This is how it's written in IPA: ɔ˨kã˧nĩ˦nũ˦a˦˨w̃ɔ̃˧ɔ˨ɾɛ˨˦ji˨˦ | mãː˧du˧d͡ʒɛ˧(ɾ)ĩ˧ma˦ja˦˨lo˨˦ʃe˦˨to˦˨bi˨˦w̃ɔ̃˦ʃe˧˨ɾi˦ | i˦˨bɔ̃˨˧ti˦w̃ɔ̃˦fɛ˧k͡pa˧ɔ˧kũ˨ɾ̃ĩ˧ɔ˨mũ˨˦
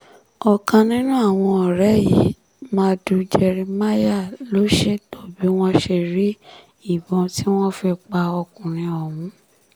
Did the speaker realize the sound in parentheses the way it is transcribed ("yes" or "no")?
yes